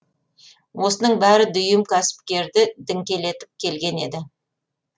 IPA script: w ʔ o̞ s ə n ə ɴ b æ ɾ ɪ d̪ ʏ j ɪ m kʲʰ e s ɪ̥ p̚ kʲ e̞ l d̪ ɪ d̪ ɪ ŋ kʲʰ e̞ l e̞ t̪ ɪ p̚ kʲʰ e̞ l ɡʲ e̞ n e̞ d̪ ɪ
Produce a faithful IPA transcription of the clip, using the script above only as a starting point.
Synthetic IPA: w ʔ o̞ s ə n ə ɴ b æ ɾ ɪ d̪ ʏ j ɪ m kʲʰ æ s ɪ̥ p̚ kʲ e̞ ɾ d̪ ɪ d̪ ɪ ŋ kʲ e̞ l e̞ t̪ ɪ p̚ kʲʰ e̞ l ɡʲ e̞ n e̞ d̪ ɪ